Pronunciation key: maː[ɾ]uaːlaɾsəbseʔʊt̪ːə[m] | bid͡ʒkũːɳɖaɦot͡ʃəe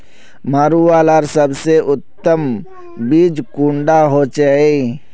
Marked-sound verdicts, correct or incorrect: correct, correct

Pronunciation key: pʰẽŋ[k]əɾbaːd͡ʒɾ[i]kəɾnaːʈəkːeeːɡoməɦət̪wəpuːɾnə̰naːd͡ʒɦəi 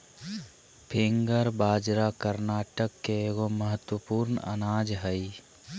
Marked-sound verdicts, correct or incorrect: incorrect, incorrect

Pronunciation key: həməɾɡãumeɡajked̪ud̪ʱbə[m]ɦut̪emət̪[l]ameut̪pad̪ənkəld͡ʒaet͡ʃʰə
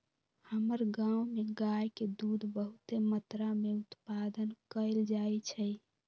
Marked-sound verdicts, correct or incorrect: incorrect, incorrect

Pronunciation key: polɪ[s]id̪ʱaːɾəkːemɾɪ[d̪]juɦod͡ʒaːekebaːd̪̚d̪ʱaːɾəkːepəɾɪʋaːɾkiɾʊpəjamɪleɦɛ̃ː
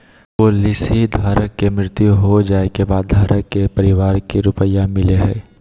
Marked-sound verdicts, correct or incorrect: correct, incorrect

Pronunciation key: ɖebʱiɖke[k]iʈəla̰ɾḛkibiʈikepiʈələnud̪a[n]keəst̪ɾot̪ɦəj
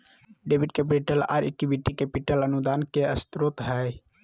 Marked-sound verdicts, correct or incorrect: incorrect, correct

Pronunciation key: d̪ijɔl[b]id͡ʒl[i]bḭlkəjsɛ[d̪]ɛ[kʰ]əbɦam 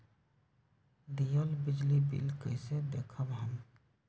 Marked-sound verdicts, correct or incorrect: correct, correct, correct, correct

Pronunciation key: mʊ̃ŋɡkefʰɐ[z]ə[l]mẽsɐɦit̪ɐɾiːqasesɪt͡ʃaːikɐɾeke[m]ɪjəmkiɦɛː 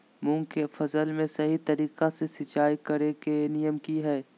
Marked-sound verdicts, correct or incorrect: correct, correct, incorrect

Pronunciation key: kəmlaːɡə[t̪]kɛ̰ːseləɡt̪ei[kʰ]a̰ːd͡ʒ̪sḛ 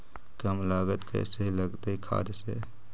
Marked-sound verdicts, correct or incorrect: correct, correct

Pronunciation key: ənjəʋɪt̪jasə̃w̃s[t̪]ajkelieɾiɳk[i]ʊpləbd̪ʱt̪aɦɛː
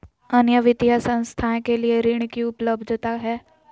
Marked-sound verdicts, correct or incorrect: incorrect, correct

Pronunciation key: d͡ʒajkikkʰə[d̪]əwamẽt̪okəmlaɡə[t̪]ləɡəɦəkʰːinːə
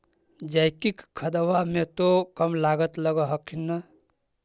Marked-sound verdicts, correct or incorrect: correct, correct

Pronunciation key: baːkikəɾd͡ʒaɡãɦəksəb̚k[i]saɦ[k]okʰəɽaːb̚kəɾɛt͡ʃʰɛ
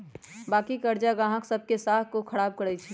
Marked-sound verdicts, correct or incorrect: incorrect, correct

